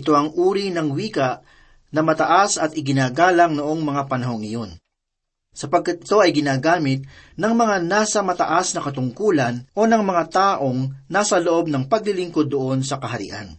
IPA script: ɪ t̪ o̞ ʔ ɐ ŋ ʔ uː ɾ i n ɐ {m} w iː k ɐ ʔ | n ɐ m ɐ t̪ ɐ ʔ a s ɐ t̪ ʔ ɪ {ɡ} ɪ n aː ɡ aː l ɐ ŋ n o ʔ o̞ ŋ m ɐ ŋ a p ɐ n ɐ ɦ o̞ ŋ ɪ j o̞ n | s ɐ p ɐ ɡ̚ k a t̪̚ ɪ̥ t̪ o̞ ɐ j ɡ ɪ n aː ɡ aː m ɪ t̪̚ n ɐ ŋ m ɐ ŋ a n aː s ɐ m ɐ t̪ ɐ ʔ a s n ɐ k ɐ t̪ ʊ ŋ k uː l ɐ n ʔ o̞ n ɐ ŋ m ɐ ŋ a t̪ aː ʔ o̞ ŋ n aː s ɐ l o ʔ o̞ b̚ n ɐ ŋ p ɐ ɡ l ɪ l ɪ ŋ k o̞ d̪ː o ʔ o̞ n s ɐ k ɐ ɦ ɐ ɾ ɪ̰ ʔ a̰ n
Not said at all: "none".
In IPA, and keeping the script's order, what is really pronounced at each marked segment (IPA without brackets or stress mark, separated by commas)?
ŋ, ɡ